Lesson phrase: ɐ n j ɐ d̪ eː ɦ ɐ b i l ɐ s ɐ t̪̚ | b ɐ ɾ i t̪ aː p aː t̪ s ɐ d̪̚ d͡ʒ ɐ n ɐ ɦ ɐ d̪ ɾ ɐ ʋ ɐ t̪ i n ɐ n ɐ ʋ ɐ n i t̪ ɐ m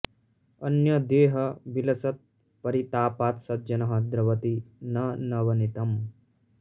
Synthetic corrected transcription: ɐ n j ɐ d̪ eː ɦ ɐ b i l ɐ s ɐ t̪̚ | p ɐ ɾ i t̪ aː p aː t̪ s ɐ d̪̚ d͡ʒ ɐ n ɐ ɦ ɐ d̪ ɾ ɐ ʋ ɐ t̪ i n ɐ n ɐ ʋ ɐ n i t̪ ɐ m